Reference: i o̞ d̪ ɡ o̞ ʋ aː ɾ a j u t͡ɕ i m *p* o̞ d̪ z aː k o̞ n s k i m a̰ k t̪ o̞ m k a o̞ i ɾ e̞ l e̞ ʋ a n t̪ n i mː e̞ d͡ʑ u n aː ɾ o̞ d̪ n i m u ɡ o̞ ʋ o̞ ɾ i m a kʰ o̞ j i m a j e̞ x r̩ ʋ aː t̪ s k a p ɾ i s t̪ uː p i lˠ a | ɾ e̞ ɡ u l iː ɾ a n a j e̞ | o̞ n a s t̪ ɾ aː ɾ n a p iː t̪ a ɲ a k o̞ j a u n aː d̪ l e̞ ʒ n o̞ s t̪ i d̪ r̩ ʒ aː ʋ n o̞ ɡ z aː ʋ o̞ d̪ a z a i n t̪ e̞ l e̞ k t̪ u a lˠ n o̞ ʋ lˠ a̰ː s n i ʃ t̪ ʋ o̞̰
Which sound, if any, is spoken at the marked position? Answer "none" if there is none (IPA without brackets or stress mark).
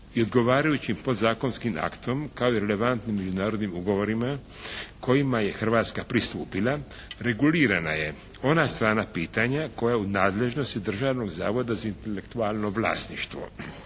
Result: p